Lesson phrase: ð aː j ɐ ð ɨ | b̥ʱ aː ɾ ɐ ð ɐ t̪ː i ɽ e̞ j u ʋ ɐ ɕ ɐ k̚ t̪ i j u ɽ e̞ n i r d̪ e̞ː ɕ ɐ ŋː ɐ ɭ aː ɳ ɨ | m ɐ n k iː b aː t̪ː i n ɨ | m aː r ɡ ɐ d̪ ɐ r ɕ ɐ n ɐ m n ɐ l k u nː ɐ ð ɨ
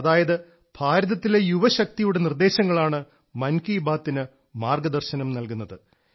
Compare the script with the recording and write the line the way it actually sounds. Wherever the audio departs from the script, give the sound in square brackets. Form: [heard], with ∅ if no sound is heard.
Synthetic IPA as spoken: ð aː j ɐ ð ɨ | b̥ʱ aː ɾ ɐ ð ɐ t̪ː i [l] e̞ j u ʋ ɐ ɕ ɐ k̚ t̪ i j u ɽ e̞ n i r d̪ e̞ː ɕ ɐ ŋː ɐ ɭ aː ɳ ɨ | m ɐ n k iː b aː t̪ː i n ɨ | m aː r ɡ ɐ d̪ ɐ r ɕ ɐ n ɐ m n ɐ l k u nː ɐ ð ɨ